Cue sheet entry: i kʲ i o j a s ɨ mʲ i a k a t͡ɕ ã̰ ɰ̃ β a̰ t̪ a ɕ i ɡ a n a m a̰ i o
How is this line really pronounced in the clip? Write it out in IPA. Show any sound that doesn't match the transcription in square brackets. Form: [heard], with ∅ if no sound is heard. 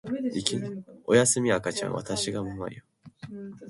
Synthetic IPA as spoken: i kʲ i o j a s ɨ mʲ i a k a t͡ɕ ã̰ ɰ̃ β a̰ t̪ a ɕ i ɡ a [m] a m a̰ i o